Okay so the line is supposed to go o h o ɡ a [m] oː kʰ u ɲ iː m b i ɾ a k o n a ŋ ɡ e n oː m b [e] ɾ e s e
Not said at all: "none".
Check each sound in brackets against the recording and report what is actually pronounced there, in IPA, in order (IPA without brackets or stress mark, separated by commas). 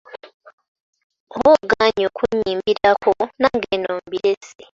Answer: ɲ, i